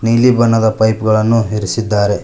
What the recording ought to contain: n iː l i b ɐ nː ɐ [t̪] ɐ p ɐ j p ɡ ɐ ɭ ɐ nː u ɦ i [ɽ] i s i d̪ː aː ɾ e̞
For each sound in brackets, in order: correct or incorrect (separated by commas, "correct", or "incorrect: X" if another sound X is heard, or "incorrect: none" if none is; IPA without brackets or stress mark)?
incorrect: d̪, incorrect: ɾ